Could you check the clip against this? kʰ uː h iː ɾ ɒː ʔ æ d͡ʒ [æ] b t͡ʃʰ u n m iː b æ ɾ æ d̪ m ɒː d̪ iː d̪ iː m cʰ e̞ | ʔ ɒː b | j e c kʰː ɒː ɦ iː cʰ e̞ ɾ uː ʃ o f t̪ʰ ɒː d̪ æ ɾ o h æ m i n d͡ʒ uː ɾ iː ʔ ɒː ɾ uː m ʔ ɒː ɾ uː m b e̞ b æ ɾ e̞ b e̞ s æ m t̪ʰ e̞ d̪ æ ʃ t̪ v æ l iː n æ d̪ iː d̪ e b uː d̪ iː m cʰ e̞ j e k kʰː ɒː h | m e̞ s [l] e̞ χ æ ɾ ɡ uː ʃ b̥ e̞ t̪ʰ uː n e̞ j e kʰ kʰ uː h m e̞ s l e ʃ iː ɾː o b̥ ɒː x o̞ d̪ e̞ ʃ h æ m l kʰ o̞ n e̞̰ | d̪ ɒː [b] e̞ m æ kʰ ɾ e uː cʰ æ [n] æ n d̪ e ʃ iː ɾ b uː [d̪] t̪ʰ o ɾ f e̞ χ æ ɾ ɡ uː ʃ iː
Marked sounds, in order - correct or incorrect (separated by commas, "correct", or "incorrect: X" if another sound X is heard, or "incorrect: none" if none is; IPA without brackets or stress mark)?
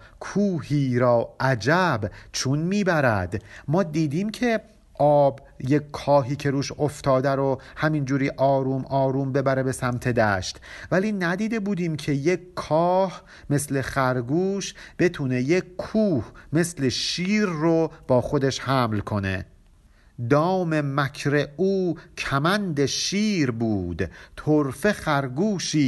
correct, correct, incorrect: m, incorrect: m, correct